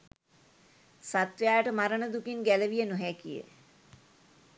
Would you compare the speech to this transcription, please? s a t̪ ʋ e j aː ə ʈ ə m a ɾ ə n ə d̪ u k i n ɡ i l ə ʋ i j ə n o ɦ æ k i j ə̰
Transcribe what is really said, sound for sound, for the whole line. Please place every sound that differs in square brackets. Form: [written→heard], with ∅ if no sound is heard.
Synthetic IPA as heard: s a t̪ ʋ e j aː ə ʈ ə m a ɾ ə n ə d̪ u k i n ɡ [i→æ] l ə ʋ i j ə n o ɦ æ k i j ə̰